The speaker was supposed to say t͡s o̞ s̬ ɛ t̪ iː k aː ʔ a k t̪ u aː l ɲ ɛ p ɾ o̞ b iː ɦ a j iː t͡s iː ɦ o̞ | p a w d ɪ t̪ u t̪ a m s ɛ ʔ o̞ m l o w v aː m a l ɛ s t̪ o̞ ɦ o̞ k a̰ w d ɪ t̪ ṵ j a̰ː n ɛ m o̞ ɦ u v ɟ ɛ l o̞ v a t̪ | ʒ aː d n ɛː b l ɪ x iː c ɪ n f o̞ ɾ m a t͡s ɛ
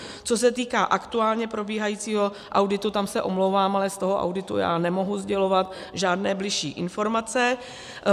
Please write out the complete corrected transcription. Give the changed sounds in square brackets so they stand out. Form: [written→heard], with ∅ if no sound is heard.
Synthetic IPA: t͡s o̞ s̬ ɛ t̪ iː k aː ʔ a k t̪ u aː l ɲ ɛ p ɾ o̞ b iː ɦ a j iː t͡s iː ɦ o̞ | [p→ʔ] a w d ɪ t̪ u t̪ a m s ɛ ʔ o̞ m l o w v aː m a l ɛ s t̪ o̞ ɦ o̞ [k→ʔ] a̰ w d ɪ t̪ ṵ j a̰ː n ɛ m o̞ ɦ u [v→z] ɟ ɛ l o̞ v a t̪ | ʒ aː d n ɛː b l ɪ [x→ʃ] iː [c→ʔ] ɪ n f o̞ ɾ m a t͡s ɛ